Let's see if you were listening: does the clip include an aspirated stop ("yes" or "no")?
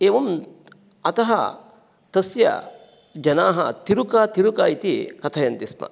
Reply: yes